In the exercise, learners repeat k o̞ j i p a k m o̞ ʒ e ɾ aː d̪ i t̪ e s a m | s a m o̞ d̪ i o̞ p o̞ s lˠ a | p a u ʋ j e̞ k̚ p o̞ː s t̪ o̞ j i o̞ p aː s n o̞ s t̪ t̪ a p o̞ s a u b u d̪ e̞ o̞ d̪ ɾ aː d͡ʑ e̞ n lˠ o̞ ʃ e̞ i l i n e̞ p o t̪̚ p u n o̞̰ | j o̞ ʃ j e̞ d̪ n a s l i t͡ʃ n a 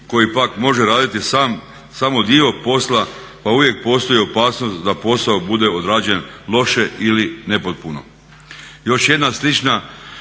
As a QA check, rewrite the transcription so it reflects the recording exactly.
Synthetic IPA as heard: k o̞ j i p a k m o̞ ʒ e ɾ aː d̪ i t̪ i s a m | s a m o̞ d̪ i o̞ p o̞ s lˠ a | p a u ʋ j e̞ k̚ p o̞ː s t̪ o̞ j i o̞ p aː s n o̞ s t̪ d̪ a p o̞ s a o b u d̪ e̞ o̞ d̪ ɾ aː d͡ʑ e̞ n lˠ o̞ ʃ e̞ i l i n e̞ p o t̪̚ p u n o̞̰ | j o̞ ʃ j e̞ d̪ n a s l i t͡ʃ n a

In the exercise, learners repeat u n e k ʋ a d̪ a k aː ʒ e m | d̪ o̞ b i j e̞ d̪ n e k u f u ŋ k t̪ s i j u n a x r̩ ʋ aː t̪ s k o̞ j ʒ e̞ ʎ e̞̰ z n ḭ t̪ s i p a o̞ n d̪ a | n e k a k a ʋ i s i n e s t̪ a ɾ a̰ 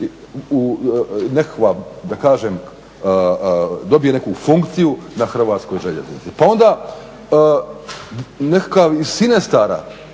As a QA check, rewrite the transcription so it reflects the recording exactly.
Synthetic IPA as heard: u n e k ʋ a d̪ a k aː ʒ e m | d̪ o̞ b i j e̞ n e k u f u ŋ k t̪ s i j u n a x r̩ ʋ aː t̪ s k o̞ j ʒ e̞ ʎ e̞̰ z n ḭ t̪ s i p a o̞ n d̪ a | n e k a k a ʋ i s i n e s t̪ a ɾ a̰

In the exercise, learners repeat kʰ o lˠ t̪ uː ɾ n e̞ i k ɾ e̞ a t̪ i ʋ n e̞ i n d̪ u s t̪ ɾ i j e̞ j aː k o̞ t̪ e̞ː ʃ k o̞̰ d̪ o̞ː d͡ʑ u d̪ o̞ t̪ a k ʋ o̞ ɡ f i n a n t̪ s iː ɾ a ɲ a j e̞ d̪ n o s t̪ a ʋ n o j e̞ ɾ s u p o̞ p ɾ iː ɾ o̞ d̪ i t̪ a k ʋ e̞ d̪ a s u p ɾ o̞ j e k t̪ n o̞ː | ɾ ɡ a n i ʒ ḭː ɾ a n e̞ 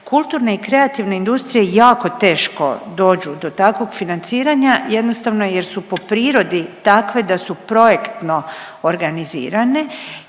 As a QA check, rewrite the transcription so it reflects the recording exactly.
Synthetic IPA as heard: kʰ u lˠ t̪ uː ɾ n e̞ i k ɾ e̞ a t̪ i ʋ n e̞ i n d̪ u s t̪ ɾ i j e̞ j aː k o̞ t̪ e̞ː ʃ k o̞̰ d̪ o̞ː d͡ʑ u d̪ o̞ t̪ a k ʋ o̞ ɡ f i n a n t̪ s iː ɾ a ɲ a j e̞ d̪ n o s t̪ a ʋ n o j e̞ ɾ s u p o̞ p ɾ iː ɾ o̞ d̪ i t̪ a k ʋ e̞ d̪ a s u p ɾ o̞ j e k t̪ n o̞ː | ɾ ɡ a n i z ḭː ɾ a n e̞

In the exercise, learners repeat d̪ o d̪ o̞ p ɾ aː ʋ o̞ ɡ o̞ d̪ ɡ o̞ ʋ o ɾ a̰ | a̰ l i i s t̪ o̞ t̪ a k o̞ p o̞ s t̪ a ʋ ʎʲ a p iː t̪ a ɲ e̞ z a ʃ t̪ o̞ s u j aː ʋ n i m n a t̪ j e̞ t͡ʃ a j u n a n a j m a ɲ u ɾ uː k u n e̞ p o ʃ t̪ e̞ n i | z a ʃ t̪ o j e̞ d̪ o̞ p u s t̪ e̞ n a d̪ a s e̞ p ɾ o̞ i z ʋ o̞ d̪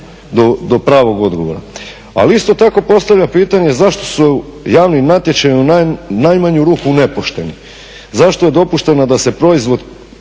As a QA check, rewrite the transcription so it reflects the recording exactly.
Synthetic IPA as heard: d̪ o d̪ o̞ p ɾ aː ʋ o̞ ɡ o̞ d̪ ɡ o̞ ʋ o ɾ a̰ | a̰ l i i s t̪ o̞ t̪ a k o̞ p o̞ s t̪ a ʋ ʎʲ a p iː t̪ a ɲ e̞ z a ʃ t̪ o̞ s u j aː ʋ n i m n a t̪ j e̞ t͡ʃ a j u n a n a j m a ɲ u ɾ uː k u n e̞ p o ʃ t̪ e̞ n i | z a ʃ t̪ o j e̞ d̪ o̞ p u ʃ t̪ e̞ n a d̪ a s e̞ p ɾ o̞ i z ʋ o̞ d̪

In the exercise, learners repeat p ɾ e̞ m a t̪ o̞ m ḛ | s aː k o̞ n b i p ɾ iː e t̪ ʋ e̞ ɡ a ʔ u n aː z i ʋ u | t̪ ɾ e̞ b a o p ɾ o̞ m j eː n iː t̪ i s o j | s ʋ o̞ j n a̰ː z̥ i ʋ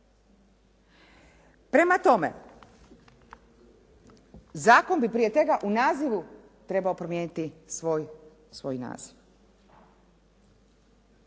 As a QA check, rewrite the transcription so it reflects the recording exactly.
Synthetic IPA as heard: p ɾ e̞ m a t̪ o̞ m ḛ | z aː k o̞ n b i p ɾ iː e t̪ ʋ e̞ ɡ a ʔ u n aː z i ʋ u | t̪ ɾ e̞ b a o p ɾ o̞ m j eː n i t̪ i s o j | s ʋ o̞ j n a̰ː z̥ i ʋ

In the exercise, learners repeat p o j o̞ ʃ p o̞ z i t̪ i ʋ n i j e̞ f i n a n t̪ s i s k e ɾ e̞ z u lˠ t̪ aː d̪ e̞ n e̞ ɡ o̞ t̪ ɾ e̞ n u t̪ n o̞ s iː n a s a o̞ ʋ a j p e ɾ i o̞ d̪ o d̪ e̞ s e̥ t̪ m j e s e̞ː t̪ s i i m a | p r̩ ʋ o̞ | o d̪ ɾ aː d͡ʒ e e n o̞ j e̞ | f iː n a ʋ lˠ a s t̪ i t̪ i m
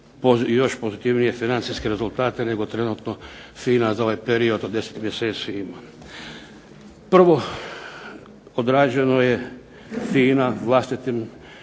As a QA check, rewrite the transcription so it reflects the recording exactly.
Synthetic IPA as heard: p o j o̞ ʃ p o̞ z i t̪ i ʋ n i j e̞ f i n a n t̪ s i s k e ɾ e̞ z u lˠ t̪ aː t̪ e̞ n e̞ ɡ o̞ t̪ ɾ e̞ n u t̪ n o̞ f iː n a z a o̞ ʋ a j p e ɾ i o̞ d̪ o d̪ e̞ s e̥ t̪ m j e s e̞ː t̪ s i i m a | p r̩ ʋ o̞ | o d̪ ɾ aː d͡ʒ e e n o̞ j e̞ | f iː n a ʋ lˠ a s t̪ i t̪ i m

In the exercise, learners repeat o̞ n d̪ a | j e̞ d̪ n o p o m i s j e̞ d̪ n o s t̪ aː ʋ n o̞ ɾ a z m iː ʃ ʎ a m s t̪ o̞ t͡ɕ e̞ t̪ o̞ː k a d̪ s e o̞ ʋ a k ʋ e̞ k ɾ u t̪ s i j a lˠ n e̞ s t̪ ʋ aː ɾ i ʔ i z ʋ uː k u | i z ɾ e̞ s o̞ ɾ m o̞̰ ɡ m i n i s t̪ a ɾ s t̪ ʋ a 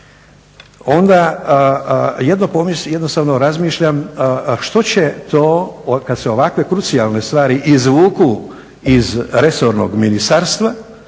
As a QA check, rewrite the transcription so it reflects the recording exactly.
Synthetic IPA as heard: o̞ n d̪ a | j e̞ d̪ n o p o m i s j e̞ d̪ n o s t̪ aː ʋ n o̞ ɾ a z m iː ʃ ʎ a m ʃ t̪ o̞ t͡ɕ e̞ t̪ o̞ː k a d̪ s e o̞ ʋ a k ʋ e̞ k ɾ u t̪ s i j a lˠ n e̞ s t̪ ʋ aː ɾ i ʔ i z ʋ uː k u | i z ɾ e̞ s o̞ ɾ n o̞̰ ɡ m i n i s t̪ a ɾ s t̪ ʋ a

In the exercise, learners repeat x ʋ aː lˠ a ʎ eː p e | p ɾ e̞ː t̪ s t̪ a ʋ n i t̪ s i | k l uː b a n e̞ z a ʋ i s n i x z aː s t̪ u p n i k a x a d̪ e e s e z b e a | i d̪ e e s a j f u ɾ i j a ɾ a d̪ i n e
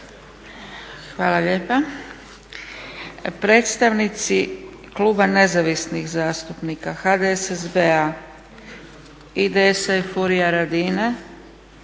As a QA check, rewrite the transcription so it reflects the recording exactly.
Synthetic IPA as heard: x ʋ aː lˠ a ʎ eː p a | p ɾ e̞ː t̪ s t̪ a ʋ n i t̪ s i | k l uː b a n e̞ z a ʋ i s n i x z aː s t̪ u p n i k a x a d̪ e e s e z b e a | i d̪ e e s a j f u ɾ i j a ɾ a d̪ i n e

